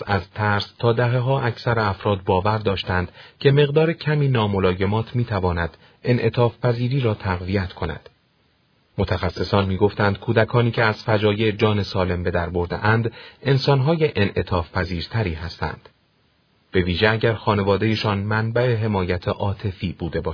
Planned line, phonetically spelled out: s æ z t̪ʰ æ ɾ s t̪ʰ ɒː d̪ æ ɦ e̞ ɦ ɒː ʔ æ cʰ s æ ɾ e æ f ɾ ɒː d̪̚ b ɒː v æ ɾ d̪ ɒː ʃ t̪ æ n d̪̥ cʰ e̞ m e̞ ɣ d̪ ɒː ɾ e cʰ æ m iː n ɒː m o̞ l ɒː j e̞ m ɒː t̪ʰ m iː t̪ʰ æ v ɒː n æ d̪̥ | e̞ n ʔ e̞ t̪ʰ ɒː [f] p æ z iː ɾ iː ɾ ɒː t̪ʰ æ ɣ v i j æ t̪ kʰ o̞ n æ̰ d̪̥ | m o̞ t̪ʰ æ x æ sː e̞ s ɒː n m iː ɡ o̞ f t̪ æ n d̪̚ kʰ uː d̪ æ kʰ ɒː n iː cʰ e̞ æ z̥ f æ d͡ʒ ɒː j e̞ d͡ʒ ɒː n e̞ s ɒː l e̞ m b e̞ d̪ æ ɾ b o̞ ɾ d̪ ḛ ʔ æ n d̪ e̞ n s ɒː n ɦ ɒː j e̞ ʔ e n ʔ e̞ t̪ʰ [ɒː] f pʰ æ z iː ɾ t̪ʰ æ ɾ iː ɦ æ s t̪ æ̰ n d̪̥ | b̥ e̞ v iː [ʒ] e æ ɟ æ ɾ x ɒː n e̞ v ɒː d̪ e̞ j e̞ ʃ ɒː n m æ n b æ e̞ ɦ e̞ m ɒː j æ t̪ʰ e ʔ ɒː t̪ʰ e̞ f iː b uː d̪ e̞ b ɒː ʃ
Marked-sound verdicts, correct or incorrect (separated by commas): correct, correct, correct